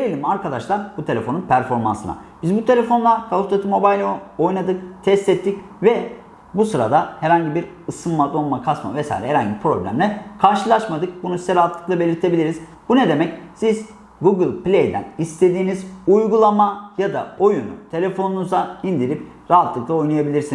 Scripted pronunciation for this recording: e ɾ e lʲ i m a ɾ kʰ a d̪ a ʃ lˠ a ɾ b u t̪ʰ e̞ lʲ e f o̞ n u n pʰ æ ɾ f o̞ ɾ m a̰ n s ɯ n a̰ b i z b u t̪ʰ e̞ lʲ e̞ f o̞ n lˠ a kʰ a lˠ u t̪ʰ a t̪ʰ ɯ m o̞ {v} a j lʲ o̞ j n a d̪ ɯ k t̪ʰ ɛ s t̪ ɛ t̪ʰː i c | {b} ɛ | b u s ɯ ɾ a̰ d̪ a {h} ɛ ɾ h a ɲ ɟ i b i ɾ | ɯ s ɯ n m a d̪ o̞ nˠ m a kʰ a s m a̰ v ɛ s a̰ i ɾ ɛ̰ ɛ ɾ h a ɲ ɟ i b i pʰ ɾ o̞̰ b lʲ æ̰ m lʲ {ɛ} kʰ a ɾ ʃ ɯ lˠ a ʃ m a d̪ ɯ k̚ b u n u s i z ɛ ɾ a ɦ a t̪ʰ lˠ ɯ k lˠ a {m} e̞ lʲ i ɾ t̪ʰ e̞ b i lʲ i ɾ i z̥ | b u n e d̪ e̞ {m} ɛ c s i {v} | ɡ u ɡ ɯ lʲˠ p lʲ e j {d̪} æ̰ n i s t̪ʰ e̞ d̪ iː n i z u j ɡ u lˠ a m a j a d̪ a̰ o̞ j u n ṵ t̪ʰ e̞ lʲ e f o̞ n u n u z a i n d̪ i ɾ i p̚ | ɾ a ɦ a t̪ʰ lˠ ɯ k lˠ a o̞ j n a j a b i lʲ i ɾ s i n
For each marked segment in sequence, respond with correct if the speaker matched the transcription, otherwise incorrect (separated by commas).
incorrect, incorrect, correct, correct, incorrect, correct, incorrect, correct